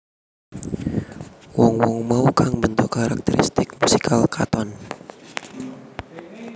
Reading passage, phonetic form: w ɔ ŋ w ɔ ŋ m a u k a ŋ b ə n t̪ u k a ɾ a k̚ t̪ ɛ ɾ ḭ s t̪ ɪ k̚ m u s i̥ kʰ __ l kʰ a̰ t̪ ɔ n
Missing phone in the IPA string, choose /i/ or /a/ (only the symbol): a